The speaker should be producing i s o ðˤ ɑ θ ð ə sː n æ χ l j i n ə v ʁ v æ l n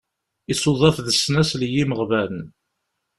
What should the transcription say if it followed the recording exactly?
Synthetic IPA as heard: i s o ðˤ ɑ θ ð ə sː n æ s l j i m ə ʁ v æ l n